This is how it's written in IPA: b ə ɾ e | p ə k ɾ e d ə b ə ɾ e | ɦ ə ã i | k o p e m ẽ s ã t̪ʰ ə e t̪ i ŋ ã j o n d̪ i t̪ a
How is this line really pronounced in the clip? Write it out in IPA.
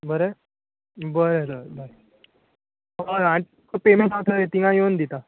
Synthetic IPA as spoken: b ə ɾ e | b ə ɾ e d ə b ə ɾ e | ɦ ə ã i | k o p e m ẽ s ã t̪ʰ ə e t̪ i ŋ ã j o n d̪ i t̪ a